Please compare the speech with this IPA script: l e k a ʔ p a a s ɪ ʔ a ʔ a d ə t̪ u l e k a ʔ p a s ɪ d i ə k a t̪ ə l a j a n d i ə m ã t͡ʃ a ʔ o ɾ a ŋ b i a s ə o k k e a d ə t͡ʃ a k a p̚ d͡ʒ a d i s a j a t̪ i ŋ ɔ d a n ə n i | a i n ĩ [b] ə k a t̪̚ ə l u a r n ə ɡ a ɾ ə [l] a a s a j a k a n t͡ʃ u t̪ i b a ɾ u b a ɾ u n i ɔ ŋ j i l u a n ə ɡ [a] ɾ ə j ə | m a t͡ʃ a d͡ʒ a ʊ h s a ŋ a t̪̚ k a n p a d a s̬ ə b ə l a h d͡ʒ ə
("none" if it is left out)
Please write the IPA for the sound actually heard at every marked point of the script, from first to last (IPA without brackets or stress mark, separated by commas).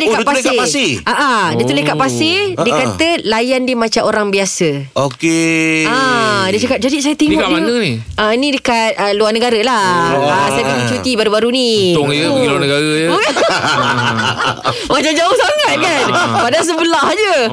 d, l, a